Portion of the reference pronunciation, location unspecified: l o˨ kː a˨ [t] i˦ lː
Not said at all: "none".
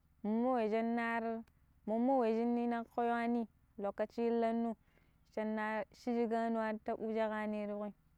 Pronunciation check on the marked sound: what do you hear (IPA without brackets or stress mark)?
t͡ʃ